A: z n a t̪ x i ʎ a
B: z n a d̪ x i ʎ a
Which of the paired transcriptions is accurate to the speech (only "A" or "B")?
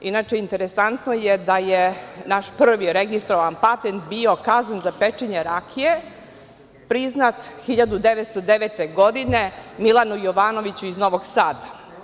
A